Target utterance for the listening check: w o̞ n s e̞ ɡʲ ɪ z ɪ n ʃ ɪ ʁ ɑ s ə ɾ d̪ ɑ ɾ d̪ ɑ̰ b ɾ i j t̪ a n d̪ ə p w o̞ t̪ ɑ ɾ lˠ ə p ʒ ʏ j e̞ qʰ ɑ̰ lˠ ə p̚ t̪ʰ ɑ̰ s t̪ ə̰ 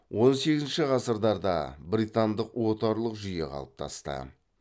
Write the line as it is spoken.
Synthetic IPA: w o̞ n s e̞ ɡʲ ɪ z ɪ n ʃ ɪ ʁ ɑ s ə ɾ d̪ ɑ ɾ d̪ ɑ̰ b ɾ i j t̪ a n d̪ ə q w o̞ t̪ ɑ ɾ lˠ ə q ʒ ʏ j e̞ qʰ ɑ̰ lˠ ə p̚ t̪ʰ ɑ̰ s t̪ ə̰